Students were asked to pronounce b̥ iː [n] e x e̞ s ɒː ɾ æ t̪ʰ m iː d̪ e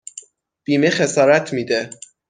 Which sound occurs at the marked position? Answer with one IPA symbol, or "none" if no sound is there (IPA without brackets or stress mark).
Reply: m